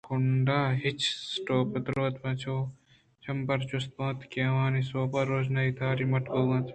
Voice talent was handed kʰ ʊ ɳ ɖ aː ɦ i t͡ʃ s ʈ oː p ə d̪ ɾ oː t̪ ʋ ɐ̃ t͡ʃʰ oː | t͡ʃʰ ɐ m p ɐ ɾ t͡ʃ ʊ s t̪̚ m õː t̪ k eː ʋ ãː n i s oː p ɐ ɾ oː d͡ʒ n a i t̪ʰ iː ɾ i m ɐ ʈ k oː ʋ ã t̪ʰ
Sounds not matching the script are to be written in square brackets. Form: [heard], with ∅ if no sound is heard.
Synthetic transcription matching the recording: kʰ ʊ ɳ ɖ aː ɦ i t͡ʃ s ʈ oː p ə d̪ ɾ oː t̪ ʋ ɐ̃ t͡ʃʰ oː | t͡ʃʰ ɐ m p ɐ ɾ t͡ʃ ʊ s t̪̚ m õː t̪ k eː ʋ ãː n i s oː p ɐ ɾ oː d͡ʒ n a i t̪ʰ [aː] ɾ i m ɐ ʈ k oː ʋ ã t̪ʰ